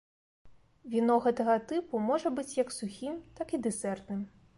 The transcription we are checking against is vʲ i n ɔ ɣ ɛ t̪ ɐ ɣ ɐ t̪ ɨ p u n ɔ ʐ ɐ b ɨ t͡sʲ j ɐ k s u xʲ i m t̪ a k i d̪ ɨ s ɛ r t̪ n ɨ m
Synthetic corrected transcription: vʲ i n ɔ ɣ ɛ t̪ ɐ ɣ ɐ t̪ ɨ p u m ɔ ʐ ɐ b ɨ t͡sʲ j ɐ k s u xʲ i m t̪ a k i d̪ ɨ s ɛ r t̪ n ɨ m

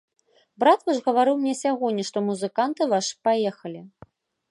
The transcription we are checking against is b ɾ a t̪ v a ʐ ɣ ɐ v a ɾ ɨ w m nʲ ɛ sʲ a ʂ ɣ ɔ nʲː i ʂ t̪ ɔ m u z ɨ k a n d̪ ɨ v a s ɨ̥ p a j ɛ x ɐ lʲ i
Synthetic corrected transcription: b ɾ a t̪ v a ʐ ɣ ɐ v a ɾ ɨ w m nʲ ɛ sʲ a ɣ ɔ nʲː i ʂ t̪ ɔ m u z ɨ k a n t̪ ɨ v a ʂ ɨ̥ p a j ɛ x ɐ lʲ i

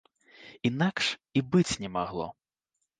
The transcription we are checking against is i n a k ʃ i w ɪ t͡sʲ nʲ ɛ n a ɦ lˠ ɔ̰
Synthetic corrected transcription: i n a k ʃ i b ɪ t͡sʲ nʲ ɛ m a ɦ lˠ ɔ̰

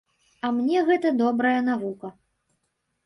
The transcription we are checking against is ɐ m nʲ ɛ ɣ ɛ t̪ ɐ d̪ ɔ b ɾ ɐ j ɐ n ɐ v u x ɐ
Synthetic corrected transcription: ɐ m nʲ ɛ ɣ ɛ t̪ ɐ d̪ ɔ b ɾ ɐ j ɐ n a v u k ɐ

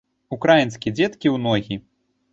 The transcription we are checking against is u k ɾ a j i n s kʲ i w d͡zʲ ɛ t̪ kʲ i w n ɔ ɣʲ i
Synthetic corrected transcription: u k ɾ a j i n s kʲ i d͡zʲ ɛ t̪ kʲ i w n ɔ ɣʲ i

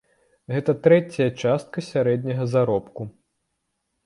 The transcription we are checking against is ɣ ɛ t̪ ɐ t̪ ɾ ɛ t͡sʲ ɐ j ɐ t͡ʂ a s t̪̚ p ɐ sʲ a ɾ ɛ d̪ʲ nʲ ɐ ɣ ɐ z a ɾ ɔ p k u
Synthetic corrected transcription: ɣ ɛ t̪ ɐ t̪ ɾ ɛ t͡sʲ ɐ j ɐ t͡ʂ a s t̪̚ k ɐ sʲ a ɾ ɛ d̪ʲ nʲ ɐ ɣ ɐ z a ɾ ɔ p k u

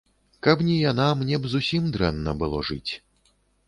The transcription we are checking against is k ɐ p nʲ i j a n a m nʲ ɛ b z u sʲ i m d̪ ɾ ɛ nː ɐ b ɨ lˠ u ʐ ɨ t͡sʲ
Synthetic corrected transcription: k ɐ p nʲ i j a n a m nʲ ɛ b z u sʲ i m d̪ ɾ ɛ nː ɐ b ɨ lˠ ɔ ʐ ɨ t͡sʲ

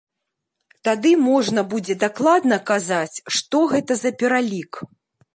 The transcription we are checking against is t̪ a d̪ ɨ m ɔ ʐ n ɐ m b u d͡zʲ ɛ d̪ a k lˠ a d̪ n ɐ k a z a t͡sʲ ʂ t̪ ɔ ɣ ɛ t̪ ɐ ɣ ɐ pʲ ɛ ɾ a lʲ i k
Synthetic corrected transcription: t̪ a d̪ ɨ m ɔ ʐ n ɐ b u d͡zʲ ɛ d̪ a k lˠ a d̪ n ɐ k a z a t͡sʲ ʂ t̪ ɔ ɣ ɛ t̪ ɐ z ɐ pʲ ɛ ɾ a lʲ i k

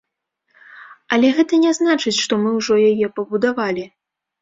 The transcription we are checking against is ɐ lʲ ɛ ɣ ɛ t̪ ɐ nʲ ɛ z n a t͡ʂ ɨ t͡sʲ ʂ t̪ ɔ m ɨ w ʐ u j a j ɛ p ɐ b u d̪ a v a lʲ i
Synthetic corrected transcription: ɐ lʲ ɛ ɣ ɛ t̪ ɐ nʲ ɛ z n a t͡ʂ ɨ t͡sʲ ʂ t̪ ɔ m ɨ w ʐ ɔ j a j ɛ p ɐ b u d̪ a v a lʲ i

